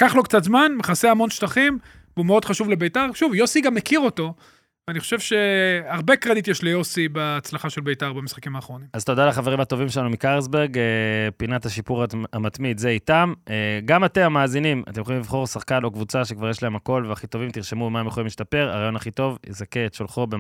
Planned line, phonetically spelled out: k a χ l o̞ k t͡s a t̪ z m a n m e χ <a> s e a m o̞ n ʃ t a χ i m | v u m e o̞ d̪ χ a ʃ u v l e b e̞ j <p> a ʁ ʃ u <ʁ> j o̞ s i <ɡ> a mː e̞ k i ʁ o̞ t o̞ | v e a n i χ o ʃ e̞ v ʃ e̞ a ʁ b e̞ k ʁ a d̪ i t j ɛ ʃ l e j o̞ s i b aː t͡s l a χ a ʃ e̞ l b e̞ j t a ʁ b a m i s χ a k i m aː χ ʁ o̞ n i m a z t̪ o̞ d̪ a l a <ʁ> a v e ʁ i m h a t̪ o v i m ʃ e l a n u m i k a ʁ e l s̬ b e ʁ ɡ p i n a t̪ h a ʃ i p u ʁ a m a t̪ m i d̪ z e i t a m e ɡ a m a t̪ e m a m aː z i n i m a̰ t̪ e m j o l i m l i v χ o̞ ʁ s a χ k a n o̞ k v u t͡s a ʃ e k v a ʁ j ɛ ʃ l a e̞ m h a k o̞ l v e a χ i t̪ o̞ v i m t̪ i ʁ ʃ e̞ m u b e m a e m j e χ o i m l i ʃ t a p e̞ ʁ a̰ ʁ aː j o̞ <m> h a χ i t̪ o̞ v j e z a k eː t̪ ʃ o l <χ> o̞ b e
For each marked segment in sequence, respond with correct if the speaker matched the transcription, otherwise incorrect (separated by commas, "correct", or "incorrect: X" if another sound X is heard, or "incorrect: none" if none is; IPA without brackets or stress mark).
correct, incorrect: t, incorrect: v, correct, incorrect: χ, incorrect: n, correct